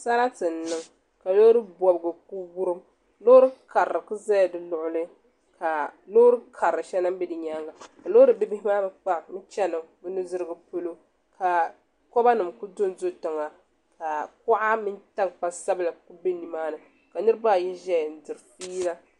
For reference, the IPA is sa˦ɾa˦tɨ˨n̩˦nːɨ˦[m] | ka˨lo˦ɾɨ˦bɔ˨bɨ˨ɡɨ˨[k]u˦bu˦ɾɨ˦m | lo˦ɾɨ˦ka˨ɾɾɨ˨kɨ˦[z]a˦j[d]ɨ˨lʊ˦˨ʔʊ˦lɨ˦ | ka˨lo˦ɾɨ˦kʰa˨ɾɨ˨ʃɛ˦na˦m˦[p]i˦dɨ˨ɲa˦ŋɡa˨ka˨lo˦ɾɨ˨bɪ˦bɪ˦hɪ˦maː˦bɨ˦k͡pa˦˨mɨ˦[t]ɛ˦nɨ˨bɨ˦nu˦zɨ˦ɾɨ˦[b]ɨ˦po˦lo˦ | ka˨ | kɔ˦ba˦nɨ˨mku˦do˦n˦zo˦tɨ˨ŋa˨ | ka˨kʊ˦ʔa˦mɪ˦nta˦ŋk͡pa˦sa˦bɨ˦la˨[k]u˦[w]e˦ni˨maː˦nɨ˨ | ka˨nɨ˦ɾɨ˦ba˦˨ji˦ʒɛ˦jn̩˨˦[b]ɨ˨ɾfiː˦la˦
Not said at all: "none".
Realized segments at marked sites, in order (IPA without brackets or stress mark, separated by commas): ŋ, k, z, d, b, t͡ʃ, ɡ, k, b, d